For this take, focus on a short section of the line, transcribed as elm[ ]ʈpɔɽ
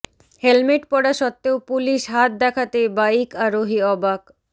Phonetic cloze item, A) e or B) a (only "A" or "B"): A